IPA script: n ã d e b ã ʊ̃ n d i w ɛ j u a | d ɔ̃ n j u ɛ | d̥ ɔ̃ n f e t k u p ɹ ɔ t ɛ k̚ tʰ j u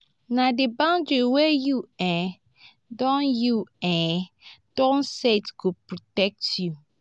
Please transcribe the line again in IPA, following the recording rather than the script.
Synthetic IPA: n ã d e b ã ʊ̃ n d i w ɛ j u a | d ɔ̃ n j u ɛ | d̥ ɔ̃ n s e t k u p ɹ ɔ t ɛ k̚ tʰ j u